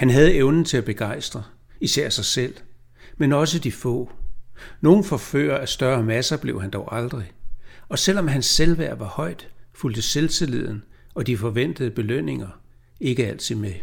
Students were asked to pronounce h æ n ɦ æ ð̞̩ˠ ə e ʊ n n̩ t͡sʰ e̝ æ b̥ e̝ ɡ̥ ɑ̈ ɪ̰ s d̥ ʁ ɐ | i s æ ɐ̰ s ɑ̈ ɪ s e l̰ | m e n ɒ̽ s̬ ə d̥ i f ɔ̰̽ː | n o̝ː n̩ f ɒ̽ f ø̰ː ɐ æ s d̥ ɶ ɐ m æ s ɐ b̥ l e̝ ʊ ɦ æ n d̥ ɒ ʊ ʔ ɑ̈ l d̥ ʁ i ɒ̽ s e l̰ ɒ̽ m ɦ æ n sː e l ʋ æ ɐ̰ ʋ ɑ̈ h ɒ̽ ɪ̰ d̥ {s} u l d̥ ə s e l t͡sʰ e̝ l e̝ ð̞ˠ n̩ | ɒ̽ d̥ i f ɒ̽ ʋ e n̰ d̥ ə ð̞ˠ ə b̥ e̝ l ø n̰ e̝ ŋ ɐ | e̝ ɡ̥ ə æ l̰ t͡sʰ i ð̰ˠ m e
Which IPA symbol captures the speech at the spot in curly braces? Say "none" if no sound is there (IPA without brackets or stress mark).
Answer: f